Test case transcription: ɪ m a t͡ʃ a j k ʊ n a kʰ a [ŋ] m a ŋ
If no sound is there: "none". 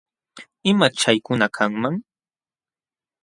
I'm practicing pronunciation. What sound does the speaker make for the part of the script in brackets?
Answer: ŋ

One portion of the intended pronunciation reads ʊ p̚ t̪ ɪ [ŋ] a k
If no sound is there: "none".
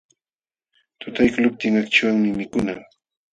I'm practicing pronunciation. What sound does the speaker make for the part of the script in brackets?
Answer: ŋ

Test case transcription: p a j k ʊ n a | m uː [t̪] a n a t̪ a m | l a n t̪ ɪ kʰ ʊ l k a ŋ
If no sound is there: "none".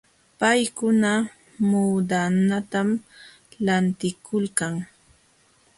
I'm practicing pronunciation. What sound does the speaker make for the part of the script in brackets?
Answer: d̪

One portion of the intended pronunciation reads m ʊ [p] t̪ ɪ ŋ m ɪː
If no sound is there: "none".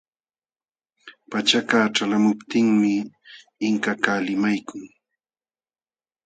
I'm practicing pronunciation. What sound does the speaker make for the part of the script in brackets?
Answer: p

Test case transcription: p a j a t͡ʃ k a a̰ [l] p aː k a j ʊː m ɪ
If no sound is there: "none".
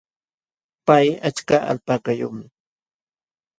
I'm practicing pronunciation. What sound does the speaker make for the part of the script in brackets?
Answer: l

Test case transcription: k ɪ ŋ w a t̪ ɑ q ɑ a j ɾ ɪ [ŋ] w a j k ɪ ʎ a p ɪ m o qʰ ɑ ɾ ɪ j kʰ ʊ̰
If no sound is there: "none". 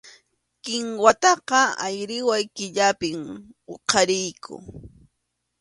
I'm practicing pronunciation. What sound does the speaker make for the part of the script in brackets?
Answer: none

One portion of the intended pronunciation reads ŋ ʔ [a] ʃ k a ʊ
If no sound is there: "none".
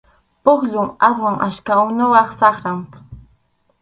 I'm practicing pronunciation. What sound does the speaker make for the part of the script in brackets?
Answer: a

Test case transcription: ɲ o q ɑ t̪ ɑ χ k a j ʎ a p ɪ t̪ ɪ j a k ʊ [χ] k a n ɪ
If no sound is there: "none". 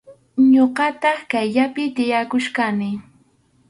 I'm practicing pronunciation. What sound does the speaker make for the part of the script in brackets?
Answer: ʃ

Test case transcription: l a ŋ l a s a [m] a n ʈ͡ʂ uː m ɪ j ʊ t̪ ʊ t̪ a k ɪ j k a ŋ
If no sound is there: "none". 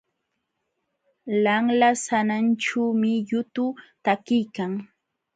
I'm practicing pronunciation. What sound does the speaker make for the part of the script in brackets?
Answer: n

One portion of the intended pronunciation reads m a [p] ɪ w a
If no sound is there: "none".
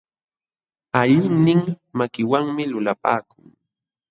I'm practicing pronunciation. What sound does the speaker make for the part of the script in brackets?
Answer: k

